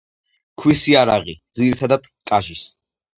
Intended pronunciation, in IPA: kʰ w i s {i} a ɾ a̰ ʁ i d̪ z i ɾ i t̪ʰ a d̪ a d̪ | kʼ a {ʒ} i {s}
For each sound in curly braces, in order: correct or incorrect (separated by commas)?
correct, correct, correct